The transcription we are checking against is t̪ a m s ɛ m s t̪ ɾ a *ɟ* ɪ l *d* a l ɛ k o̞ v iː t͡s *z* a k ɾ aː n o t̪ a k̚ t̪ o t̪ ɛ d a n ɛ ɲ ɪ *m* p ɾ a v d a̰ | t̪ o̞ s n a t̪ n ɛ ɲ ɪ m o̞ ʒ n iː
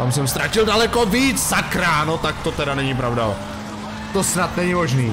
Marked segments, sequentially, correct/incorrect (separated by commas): incorrect, correct, correct, incorrect